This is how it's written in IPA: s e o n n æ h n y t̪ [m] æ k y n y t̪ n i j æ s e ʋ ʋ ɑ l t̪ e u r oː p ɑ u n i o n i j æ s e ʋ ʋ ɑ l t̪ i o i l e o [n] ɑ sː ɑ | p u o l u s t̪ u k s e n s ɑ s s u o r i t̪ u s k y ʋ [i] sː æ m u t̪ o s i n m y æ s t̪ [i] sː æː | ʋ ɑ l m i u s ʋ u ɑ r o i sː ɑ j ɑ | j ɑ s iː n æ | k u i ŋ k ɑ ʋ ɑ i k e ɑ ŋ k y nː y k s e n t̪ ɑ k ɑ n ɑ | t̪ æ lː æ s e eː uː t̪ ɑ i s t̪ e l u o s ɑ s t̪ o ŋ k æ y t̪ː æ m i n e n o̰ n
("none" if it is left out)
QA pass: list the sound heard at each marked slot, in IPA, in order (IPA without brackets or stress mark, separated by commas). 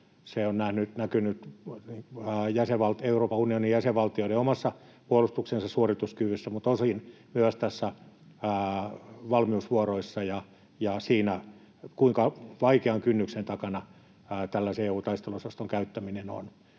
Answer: n, m, y, æ